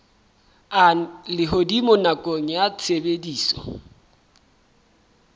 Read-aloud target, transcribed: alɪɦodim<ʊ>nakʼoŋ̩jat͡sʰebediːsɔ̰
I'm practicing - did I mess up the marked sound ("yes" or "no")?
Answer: no